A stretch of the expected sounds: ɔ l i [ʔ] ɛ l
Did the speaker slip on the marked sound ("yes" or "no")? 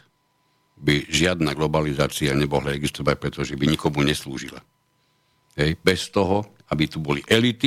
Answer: no